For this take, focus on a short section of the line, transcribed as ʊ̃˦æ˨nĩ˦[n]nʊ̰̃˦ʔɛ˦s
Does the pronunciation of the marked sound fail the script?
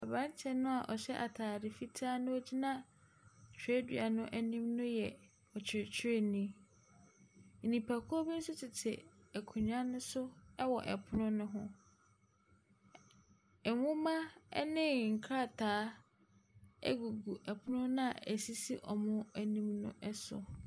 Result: yes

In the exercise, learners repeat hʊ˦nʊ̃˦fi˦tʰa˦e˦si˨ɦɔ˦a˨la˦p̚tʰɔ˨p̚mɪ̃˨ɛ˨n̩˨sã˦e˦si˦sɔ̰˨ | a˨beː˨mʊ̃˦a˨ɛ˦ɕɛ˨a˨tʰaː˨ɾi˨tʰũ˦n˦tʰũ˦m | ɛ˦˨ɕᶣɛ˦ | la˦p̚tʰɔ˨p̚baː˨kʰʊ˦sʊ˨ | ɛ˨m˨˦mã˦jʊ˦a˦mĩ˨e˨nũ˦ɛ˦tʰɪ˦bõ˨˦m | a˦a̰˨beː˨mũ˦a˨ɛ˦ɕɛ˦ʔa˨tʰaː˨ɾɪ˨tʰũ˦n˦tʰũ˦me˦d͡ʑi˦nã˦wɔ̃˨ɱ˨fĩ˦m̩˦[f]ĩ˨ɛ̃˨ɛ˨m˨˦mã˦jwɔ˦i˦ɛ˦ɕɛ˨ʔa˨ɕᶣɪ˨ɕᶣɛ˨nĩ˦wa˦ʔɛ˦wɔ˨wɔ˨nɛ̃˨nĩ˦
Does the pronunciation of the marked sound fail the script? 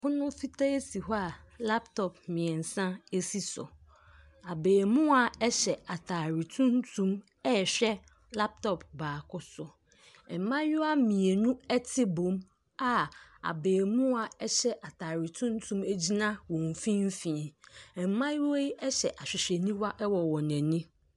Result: no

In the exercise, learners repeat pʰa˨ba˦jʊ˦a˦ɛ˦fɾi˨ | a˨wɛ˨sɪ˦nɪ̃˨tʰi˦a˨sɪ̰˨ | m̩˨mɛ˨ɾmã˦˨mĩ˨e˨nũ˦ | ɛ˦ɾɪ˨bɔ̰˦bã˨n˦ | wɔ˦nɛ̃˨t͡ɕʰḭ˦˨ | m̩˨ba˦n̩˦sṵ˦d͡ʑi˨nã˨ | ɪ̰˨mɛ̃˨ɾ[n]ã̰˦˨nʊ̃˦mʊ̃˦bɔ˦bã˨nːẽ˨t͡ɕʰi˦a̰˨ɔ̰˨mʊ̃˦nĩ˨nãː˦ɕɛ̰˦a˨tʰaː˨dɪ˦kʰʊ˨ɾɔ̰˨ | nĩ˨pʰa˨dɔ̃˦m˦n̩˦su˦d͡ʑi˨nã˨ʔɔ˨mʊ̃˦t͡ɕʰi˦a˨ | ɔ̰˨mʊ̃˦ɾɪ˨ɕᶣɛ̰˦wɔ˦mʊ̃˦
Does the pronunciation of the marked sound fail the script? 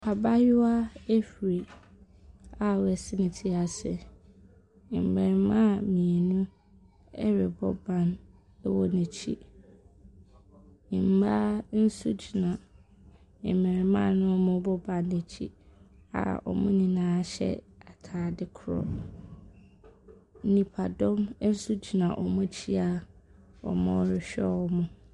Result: yes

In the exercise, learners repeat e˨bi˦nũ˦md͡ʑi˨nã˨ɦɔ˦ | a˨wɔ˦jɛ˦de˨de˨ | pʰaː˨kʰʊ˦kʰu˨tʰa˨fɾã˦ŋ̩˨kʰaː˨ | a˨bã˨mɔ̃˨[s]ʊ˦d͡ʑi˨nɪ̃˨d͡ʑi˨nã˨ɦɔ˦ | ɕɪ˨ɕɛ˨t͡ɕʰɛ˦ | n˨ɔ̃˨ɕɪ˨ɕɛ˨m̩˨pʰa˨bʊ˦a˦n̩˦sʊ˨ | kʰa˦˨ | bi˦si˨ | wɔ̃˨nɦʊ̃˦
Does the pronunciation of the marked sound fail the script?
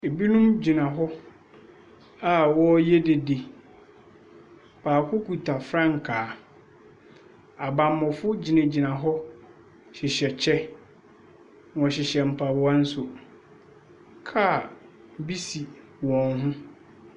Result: yes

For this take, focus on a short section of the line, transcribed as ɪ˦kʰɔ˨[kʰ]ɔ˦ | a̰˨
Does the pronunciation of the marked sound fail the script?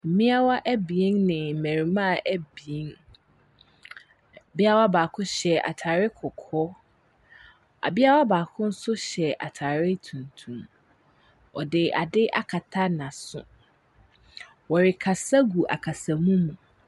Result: no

